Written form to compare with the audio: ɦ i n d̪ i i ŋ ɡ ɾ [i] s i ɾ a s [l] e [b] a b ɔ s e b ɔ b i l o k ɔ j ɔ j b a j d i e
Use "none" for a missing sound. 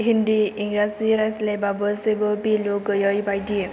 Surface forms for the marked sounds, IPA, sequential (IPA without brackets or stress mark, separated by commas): a, l, b